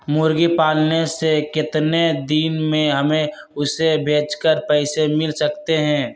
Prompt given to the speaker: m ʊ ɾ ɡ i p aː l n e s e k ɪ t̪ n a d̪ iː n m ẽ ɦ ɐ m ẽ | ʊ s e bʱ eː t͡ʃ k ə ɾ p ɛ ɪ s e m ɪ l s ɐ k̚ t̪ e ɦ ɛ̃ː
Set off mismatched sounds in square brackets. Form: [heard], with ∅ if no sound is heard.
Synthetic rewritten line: m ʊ ɾ ɡ i p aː l n e s e k ɪ t̪ n [e] d̪ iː n m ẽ ɦ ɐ m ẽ | ʊ s e bʱ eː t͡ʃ k ə ɾ p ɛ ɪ s e m ɪ l s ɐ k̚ t̪ e ɦ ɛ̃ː